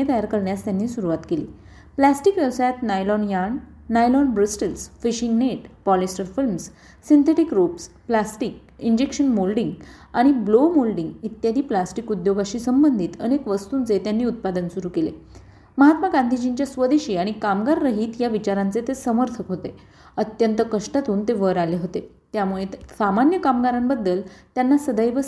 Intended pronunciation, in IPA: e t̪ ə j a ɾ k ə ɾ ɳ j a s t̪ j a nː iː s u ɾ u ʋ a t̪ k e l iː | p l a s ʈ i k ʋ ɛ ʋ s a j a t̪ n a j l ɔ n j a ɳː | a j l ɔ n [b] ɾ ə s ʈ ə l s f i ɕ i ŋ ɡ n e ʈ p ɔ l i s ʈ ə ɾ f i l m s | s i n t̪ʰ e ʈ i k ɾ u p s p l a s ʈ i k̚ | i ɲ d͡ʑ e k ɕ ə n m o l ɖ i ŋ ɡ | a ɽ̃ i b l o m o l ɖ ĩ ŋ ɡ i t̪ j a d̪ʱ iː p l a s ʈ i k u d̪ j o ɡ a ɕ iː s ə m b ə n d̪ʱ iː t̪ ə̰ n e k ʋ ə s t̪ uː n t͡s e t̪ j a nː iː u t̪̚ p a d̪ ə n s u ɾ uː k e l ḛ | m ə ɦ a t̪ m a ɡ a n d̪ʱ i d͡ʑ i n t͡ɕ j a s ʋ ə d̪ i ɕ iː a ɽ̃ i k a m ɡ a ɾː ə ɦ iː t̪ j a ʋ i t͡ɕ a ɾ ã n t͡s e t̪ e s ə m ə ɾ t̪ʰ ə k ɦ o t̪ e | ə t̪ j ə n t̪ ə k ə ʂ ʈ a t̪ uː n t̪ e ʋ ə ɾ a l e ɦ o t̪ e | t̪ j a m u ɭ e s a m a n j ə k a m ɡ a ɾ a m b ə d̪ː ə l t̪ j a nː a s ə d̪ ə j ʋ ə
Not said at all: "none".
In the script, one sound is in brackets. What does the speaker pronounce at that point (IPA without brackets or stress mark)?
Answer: b